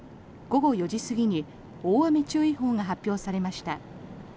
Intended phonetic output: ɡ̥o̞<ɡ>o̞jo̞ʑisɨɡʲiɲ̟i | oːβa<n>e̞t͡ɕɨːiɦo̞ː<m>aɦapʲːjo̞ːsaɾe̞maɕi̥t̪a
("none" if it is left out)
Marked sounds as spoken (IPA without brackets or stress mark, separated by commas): ɡ, m, ŋ